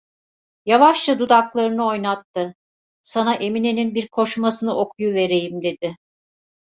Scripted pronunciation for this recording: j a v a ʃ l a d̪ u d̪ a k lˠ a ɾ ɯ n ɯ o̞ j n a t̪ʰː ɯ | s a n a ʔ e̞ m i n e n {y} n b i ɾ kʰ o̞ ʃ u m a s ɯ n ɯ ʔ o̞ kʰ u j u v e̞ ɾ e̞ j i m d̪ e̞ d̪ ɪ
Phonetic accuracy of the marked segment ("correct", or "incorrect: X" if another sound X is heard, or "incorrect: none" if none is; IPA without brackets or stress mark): incorrect: i